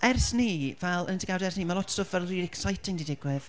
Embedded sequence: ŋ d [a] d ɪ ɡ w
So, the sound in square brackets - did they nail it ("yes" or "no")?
no